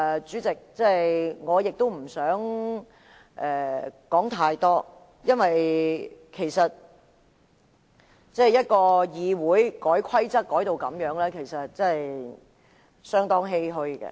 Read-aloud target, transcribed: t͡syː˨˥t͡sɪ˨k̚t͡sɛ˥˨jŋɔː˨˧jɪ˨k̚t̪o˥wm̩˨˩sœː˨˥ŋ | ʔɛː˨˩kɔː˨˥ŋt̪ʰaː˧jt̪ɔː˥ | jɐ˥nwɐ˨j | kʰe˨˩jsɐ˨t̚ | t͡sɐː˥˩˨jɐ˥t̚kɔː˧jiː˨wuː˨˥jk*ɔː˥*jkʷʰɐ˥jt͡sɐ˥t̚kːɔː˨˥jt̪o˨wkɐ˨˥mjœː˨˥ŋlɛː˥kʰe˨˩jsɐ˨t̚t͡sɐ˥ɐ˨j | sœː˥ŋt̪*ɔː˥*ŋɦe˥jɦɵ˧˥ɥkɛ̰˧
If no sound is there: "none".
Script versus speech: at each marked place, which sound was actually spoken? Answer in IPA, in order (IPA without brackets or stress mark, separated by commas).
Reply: ɔː˨˥, ɔː˥